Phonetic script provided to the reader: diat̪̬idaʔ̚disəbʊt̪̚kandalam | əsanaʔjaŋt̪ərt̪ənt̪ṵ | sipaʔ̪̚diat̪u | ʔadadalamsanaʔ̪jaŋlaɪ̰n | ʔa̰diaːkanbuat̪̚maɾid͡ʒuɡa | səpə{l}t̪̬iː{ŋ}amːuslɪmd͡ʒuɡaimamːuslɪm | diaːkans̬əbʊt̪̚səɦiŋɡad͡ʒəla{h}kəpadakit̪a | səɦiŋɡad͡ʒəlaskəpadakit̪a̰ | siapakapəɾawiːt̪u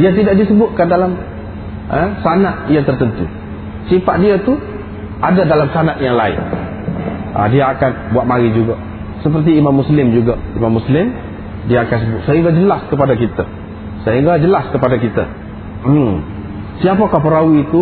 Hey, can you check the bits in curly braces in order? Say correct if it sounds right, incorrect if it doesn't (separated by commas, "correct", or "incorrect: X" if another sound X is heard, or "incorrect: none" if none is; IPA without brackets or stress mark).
incorrect: r, incorrect: m, incorrect: s